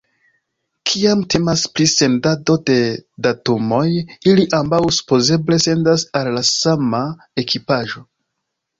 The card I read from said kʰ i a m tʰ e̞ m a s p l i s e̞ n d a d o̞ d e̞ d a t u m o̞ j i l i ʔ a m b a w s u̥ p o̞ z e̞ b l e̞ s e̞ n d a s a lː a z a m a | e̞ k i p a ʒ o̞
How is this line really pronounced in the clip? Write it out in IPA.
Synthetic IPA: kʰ i a m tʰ e̞ m a s p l i s e̞ n d a d o̞ d e̞ d a t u m o̞ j i l i ʔ a m b a w s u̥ p o̞ z e̞ b l e̞ s e̞ n d a s a lː a s a m a | e̞ k i p a ʒ o̞